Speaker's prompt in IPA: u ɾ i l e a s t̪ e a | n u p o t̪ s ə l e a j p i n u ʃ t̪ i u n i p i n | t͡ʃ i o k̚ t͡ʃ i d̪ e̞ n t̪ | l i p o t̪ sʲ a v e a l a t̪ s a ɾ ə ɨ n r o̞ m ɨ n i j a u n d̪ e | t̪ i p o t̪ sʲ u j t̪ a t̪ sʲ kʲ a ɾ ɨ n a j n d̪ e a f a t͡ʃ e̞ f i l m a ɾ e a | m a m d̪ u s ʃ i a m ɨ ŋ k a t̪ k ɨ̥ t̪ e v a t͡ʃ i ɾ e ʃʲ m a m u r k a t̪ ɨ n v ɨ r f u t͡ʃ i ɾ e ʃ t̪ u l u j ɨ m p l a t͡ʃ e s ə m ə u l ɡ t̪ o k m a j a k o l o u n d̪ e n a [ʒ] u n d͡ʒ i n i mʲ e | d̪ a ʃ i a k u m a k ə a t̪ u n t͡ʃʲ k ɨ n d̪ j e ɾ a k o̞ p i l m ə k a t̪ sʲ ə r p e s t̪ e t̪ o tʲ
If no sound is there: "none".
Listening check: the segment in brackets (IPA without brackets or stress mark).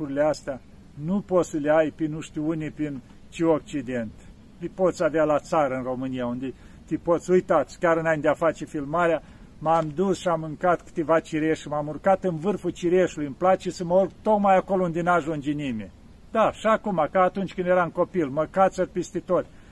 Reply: ʒ